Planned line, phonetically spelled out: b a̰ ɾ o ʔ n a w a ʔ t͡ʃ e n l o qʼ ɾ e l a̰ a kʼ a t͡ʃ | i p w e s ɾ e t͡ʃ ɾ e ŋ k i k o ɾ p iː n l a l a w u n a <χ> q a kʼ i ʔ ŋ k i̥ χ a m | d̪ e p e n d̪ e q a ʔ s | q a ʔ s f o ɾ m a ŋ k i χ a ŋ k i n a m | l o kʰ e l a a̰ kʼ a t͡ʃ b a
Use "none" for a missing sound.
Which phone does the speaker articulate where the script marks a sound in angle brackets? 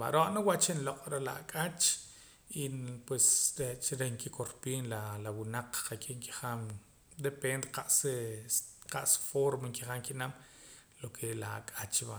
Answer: q͡χ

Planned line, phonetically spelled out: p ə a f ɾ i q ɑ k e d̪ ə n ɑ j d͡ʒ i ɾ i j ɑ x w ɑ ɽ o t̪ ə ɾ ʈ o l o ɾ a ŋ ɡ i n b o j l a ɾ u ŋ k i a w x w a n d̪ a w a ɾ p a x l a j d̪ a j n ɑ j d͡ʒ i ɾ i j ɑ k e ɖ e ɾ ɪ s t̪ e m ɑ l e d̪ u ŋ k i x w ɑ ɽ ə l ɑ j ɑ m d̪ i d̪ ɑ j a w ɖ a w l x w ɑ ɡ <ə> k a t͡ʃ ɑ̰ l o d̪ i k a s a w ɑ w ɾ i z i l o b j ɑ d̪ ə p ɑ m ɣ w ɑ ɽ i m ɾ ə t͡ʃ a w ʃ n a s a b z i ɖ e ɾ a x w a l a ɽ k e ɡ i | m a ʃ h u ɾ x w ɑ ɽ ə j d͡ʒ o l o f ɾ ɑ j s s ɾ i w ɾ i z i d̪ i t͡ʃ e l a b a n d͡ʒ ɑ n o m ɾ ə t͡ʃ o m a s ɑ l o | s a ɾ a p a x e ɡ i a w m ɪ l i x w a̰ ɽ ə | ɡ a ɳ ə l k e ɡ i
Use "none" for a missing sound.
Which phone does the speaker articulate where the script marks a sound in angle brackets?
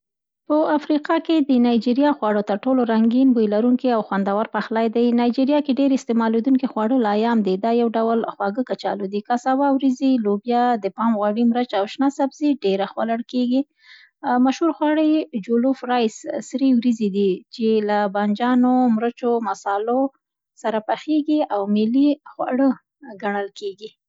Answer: ə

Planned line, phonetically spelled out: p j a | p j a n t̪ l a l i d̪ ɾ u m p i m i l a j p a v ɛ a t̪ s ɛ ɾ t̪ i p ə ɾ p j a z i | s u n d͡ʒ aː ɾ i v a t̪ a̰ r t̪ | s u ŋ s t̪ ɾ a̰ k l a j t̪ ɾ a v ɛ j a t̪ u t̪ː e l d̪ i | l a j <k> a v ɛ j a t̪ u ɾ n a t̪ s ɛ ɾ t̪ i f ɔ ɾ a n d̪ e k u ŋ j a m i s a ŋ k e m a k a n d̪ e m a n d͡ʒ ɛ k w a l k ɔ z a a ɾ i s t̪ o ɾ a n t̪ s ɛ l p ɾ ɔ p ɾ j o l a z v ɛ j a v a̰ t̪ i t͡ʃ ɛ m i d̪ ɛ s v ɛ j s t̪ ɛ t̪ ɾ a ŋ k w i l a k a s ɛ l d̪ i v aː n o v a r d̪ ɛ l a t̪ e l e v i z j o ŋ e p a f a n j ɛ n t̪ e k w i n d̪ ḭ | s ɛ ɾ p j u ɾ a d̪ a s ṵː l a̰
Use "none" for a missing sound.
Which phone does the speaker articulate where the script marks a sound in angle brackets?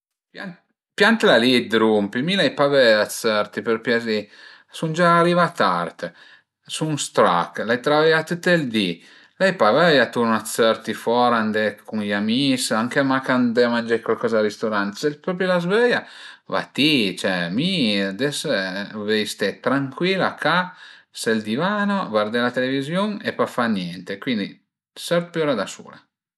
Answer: p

